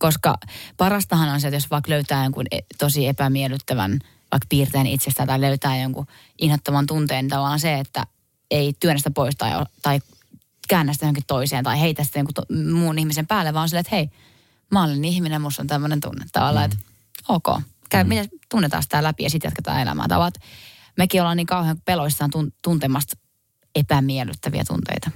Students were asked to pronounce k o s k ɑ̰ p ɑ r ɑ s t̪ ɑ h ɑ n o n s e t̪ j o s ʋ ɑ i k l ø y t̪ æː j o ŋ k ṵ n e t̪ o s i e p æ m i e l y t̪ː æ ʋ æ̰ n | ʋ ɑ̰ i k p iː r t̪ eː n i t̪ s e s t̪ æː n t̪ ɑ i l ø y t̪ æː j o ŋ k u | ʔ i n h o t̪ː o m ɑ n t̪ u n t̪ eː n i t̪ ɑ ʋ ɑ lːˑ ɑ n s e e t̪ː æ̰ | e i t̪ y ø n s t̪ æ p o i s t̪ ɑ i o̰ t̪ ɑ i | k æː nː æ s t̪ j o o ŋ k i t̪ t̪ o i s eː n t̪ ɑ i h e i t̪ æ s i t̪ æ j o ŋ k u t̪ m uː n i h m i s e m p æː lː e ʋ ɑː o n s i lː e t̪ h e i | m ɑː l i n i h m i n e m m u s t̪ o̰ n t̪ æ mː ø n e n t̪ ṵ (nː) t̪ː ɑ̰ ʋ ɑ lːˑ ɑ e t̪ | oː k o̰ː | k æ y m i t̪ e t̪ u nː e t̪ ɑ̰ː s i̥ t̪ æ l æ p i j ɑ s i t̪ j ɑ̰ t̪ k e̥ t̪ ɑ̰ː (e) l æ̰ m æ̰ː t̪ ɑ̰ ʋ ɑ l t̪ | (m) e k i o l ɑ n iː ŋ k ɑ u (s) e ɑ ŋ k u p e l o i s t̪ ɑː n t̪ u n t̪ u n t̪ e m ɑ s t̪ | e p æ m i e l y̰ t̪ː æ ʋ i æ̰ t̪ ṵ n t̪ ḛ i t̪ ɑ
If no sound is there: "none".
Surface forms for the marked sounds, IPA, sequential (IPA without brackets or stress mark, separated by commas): nː, e, m, h